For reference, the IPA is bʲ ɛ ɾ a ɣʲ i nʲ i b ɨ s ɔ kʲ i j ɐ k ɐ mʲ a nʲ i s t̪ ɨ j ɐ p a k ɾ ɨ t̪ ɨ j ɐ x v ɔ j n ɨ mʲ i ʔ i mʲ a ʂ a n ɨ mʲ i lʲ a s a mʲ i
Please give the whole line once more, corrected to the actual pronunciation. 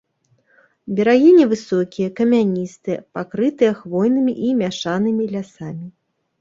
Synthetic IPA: bʲ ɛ ɾ a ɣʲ i nʲ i v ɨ s ɔ kʲ i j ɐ k ɐ mʲ a nʲ i s t̪ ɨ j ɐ p a k ɾ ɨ t̪ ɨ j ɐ x v ɔ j n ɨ mʲ i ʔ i mʲ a ʂ a n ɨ mʲ i lʲ a s a mʲ i

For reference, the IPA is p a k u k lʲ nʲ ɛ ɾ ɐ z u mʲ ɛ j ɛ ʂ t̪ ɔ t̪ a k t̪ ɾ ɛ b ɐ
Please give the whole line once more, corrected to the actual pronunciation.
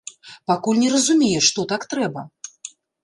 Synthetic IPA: p a k u lʲ nʲ ɛ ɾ ɐ z u mʲ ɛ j ɛ ʂ t̪ ɔ t̪ a k t̪ ɾ ɛ b ɐ

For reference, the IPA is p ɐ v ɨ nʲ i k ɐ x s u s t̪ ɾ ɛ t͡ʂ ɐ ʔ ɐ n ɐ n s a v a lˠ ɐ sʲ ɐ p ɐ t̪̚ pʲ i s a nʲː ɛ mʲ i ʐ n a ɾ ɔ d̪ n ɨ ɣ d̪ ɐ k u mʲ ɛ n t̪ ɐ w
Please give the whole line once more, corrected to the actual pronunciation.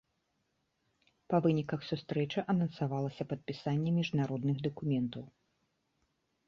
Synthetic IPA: p ɐ v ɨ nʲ i k ɐ x s u s t̪ ɾ ɛ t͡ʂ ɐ ʔ ɐ n ɐ n s a v a lˠ ɐ sʲ ɐ p ɐ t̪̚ pʲ i s a nʲː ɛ mʲ i ʐ n a ɾ ɔ d̪ n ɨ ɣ d̪ ɐ k u mʲ ɛ n t̪ ɐ w

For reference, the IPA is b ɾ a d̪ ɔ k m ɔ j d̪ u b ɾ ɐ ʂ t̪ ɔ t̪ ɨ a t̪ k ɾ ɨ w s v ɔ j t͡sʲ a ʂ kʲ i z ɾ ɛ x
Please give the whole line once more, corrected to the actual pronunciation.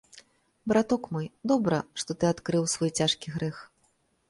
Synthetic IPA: b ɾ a t̪ ɔ k m ɔ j d̪ ɔ b ɾ ɐ ʂ t̪ ɔ t̪ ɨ a t̪ k ɾ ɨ w s v ɔ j t͡sʲ a ʂ kʲ i ɣ ɾ ɛ x

